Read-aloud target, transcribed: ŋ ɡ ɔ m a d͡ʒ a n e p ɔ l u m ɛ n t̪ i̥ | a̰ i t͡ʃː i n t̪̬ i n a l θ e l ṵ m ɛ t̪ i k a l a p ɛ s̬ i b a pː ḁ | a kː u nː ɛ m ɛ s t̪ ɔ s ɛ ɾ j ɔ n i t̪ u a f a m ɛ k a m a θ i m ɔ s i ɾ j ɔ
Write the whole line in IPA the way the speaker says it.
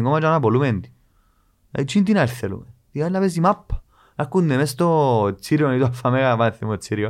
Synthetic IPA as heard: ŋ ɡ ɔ m a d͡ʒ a n a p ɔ l u m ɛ n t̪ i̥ | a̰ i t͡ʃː i n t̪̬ i n a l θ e l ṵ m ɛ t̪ i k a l a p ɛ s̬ i m a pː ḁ | a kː u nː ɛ m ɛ s t̪ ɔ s i ɾ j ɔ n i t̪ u a f a m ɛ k a m a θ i m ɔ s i ɾ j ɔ